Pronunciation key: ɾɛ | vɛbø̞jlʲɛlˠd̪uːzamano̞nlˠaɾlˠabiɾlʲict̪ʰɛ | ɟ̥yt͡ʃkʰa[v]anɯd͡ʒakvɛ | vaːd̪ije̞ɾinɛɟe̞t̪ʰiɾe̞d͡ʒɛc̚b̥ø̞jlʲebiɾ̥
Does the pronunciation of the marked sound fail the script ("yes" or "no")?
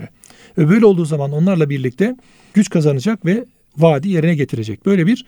yes